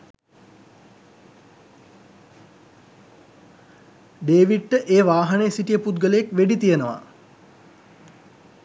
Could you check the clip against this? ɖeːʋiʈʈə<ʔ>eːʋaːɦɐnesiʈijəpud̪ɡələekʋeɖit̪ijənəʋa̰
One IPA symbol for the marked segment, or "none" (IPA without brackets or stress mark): ʔ